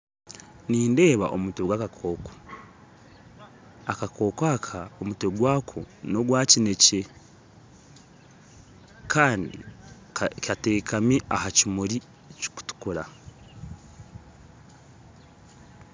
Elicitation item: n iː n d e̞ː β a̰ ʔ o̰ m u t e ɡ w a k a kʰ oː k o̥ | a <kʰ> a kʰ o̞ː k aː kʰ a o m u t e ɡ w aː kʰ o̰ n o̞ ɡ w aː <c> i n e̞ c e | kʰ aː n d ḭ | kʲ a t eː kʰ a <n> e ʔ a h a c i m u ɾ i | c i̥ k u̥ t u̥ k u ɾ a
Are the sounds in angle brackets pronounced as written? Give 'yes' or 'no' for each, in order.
no, yes, no

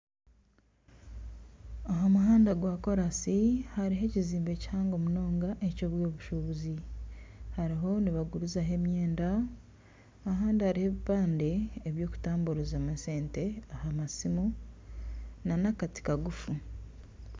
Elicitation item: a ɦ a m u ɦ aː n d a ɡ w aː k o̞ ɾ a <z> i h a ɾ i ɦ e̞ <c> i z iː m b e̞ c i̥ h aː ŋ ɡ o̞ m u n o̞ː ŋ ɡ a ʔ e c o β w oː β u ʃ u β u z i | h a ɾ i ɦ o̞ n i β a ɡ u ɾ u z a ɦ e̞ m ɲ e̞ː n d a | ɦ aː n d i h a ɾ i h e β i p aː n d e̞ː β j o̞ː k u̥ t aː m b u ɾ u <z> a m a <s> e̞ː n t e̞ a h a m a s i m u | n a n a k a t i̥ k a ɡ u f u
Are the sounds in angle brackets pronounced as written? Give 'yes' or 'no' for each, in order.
no, yes, yes, yes

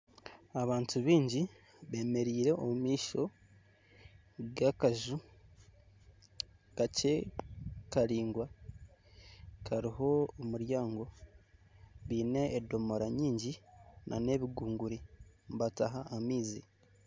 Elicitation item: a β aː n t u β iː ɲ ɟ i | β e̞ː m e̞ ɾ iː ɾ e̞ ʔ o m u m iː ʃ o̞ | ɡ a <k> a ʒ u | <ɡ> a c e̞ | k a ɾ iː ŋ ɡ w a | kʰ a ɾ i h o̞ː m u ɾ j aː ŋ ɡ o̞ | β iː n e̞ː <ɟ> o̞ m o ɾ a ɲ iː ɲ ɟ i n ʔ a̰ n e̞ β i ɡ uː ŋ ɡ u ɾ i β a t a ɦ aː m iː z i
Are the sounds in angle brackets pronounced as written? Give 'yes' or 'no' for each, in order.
yes, no, no

